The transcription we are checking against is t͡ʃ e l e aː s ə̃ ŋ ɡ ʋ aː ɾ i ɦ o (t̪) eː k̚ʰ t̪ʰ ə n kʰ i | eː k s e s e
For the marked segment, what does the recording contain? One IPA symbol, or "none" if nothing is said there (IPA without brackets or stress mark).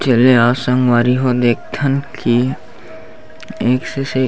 d̪